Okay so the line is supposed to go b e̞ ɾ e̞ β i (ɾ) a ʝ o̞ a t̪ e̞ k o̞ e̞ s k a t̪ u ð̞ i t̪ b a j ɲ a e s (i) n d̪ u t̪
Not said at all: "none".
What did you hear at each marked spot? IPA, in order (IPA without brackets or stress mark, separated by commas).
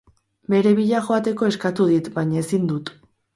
ʎ, i